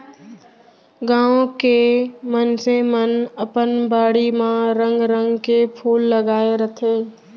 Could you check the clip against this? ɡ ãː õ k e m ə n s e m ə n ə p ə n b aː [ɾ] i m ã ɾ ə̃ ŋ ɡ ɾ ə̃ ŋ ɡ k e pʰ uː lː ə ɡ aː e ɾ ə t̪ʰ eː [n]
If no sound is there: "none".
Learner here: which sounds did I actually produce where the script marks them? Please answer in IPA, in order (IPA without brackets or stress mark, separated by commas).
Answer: ɽ, none